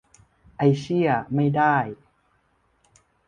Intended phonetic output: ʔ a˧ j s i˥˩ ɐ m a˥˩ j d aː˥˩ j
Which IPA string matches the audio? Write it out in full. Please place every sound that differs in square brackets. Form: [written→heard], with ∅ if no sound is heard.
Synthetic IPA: ʔ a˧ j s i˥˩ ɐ m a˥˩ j d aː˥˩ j